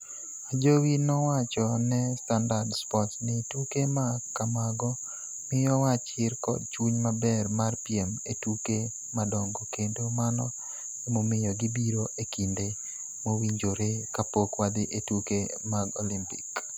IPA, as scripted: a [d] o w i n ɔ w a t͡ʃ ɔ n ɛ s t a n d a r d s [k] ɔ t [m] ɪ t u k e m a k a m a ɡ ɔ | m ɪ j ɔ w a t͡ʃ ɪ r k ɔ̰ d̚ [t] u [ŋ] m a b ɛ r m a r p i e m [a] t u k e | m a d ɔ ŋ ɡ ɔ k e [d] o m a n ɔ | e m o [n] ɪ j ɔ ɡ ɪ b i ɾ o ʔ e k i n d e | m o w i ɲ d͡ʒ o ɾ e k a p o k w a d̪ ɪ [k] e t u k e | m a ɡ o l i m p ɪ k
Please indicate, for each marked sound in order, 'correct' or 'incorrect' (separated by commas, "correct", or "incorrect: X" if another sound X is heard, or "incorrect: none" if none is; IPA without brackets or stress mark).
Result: incorrect: d͡ʒ, incorrect: p, incorrect: n, incorrect: t͡ʃ, incorrect: ɲ, incorrect: e, correct, incorrect: m, incorrect: ʔ